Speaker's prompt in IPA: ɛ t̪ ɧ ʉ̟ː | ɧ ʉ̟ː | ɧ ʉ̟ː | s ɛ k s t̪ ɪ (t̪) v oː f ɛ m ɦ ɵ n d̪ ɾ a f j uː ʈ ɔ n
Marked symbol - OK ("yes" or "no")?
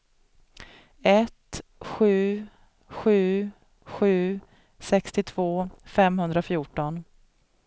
no